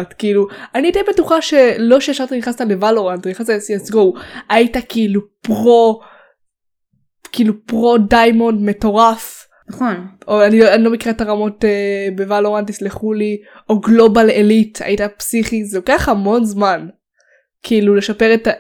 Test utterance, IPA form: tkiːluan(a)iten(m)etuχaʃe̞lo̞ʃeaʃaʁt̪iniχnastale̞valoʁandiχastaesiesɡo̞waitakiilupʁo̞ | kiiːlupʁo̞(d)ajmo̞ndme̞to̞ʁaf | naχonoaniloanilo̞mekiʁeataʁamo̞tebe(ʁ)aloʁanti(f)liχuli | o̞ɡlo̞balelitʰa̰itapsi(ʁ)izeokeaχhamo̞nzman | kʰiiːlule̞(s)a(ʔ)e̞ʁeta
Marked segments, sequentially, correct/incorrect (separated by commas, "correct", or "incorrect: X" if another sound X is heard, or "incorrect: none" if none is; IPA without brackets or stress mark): incorrect: i, incorrect: b, correct, incorrect: v, incorrect: s, incorrect: χ, incorrect: ʃ, incorrect: p